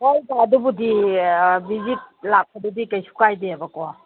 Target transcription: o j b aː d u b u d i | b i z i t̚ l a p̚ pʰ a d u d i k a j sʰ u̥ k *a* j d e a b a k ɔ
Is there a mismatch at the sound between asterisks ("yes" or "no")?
no